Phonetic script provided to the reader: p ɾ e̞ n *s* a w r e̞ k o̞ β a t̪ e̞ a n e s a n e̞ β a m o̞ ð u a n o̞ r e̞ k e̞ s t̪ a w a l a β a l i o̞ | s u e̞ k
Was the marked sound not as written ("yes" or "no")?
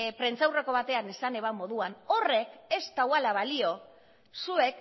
yes